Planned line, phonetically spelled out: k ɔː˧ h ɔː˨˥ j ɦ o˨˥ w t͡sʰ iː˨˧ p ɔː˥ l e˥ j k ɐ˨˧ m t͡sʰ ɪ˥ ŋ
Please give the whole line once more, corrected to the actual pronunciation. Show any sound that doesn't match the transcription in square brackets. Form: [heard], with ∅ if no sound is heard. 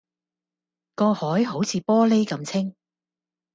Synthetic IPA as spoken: k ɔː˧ h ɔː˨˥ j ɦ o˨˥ w t͡sʰ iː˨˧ p ɔː˥ l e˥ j k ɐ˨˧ m t͡sʰ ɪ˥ ŋ